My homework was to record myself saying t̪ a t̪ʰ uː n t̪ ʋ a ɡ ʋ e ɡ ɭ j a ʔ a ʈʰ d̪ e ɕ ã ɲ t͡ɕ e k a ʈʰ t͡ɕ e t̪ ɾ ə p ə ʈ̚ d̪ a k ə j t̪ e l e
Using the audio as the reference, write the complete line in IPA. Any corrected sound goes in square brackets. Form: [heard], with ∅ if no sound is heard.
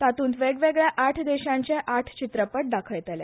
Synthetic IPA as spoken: t̪ a [t̪] uː n t̪ ʋ [e] ɡ ʋ e ɡ ɭ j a ʔ a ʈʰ d̪ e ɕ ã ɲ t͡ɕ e [ʔ] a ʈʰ t͡ɕ [i] t̪ ɾ ə p ə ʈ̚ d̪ a [kʰ] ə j t̪ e l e